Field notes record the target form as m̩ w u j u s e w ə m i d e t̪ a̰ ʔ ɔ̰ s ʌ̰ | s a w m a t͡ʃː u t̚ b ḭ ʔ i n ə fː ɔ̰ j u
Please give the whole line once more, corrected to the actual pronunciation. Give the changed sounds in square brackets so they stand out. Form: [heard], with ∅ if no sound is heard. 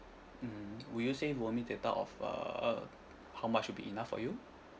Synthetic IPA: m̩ w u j u s e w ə m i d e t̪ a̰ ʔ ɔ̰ [f] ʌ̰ | [h] a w m a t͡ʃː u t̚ b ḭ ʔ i n [a] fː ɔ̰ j u